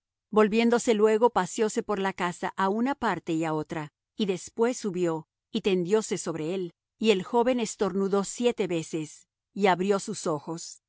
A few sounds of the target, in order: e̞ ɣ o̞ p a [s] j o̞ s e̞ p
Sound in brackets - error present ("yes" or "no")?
no